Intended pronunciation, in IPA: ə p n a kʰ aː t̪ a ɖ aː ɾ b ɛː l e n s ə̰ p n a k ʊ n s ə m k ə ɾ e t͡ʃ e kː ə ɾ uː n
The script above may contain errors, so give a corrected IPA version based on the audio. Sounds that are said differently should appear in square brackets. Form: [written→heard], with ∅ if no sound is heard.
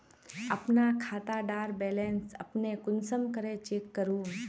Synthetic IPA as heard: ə p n a kʰ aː t̪ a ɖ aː ɾ b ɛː l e n s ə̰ p n [a→e] k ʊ n s ə m k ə ɾ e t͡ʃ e kː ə ɾ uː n